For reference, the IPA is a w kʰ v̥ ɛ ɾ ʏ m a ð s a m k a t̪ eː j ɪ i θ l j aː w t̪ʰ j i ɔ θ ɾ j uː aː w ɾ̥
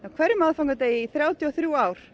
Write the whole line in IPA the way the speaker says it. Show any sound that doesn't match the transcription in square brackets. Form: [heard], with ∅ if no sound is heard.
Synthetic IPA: a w kʰ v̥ ɛ ɾ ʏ m a ð [f] a [ŋ] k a t̪ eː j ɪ i θ [ɾ] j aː w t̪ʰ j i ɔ θ ɾ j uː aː w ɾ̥